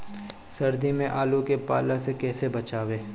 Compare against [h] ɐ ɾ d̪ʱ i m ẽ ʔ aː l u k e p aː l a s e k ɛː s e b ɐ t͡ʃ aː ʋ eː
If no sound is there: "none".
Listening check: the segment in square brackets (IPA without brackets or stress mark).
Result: s